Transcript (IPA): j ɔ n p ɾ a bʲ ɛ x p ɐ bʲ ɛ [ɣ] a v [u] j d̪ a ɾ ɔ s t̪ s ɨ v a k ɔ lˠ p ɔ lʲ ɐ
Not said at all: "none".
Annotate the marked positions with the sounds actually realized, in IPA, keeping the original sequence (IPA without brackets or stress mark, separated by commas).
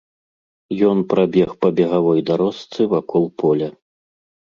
ɣ, ɔ